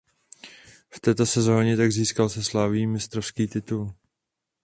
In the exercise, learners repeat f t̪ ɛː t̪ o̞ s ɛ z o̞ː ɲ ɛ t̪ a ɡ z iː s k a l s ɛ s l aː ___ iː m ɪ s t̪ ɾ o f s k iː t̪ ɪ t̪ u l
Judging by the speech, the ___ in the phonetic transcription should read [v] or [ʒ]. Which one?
v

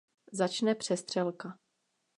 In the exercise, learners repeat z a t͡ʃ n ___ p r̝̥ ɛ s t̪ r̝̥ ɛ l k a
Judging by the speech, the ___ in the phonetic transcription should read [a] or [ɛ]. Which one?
ɛ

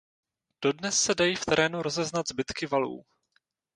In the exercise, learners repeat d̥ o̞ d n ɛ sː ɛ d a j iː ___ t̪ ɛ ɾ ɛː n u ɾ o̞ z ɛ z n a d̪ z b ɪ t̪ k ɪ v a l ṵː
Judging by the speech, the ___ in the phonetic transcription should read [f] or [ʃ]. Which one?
f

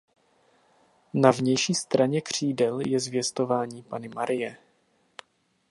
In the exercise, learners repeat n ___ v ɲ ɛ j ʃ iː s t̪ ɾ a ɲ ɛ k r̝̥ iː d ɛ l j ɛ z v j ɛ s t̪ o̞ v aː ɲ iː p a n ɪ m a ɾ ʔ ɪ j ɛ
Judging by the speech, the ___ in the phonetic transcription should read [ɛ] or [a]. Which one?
a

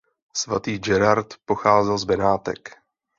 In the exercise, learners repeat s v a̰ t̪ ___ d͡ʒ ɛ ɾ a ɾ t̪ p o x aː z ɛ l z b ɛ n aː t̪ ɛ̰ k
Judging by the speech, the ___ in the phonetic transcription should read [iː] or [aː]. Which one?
iː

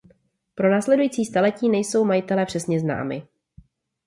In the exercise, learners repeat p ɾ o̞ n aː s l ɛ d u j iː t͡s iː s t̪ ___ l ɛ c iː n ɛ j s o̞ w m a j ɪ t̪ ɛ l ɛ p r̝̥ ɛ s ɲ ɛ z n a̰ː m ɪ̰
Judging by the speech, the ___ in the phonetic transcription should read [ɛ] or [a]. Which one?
a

